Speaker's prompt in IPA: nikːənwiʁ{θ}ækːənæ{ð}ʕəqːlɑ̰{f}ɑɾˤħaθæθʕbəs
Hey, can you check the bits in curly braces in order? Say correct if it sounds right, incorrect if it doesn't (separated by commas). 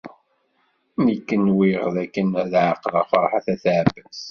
incorrect, correct, correct